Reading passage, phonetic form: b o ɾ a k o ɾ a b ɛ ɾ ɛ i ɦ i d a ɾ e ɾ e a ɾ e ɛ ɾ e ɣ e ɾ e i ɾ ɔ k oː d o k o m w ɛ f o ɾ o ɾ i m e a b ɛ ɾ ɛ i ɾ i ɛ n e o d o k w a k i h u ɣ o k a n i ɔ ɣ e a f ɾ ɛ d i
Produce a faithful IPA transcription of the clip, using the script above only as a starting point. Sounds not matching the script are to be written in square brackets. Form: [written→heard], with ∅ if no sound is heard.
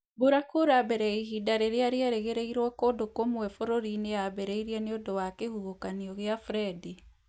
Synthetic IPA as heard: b o ɾ a k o ɾ a b ɛ ɾ ɛ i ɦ i d a ɾ e ɾ e a ɾ e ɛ ɾ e ɣ e ɾ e i ɾ ɔ k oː d o k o m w ɛ f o ɾ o ɾ i [m→n] e a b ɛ ɾ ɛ i ɾ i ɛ n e o d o [k→∅] w a k [i→e] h u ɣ o k a n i ɔ ɣ e a f ɾ ɛ d i